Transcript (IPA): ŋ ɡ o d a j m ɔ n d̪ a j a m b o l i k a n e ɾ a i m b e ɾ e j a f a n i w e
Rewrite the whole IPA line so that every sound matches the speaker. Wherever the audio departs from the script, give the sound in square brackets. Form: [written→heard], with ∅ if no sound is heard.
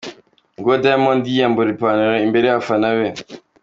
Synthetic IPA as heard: ŋ ɡ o d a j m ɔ n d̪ [a→i] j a m b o [l→ɾ] i [k→p] a n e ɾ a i m b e ɾ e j a f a n [i→a] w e